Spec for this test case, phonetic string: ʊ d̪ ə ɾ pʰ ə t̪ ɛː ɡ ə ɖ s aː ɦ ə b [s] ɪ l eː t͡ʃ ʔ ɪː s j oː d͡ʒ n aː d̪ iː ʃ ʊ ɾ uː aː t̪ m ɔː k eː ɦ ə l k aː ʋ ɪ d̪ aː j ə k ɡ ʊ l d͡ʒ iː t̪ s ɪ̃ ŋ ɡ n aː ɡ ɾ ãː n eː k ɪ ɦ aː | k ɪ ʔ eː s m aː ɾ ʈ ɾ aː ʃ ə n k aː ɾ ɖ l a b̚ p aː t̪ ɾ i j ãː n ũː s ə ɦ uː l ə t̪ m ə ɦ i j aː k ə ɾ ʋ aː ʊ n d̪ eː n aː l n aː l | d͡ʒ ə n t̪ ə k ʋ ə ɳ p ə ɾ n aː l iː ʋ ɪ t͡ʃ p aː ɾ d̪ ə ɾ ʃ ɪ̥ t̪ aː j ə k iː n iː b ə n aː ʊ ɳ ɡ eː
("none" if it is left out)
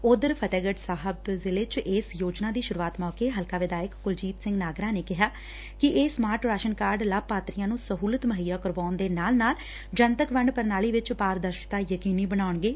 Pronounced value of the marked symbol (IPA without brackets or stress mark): z